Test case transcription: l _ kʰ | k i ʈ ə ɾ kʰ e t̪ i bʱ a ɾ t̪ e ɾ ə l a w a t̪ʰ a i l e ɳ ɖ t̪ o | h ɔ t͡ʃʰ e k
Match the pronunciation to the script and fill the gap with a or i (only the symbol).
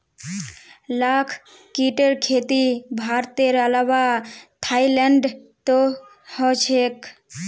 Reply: a